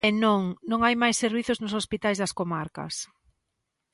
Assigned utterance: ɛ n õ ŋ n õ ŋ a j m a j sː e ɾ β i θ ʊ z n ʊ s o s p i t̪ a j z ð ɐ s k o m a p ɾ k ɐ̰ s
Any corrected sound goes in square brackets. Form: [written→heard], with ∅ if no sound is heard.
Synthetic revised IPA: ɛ n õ ŋ n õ ŋ a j m a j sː e ɾ β i θ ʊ z n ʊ s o s p i t̪ a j z ð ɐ s k o m a [p→∅] ɾ k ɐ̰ s